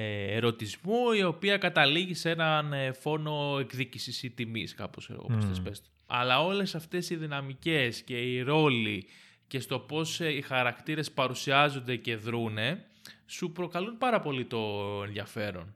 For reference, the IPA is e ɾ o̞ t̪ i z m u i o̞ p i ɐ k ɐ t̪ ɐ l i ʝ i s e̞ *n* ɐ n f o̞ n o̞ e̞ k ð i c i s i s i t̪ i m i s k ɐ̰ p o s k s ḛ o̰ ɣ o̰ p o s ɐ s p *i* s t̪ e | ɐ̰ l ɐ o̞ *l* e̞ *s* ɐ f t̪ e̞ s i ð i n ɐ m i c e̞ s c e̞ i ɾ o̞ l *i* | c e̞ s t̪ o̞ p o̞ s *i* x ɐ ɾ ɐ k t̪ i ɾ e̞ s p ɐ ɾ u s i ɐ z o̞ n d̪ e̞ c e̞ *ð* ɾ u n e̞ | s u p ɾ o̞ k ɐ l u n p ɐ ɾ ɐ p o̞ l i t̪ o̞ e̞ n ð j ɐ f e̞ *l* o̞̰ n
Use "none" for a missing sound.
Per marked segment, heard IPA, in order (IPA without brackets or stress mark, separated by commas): n, e, l, s, i, i, ð, ɾ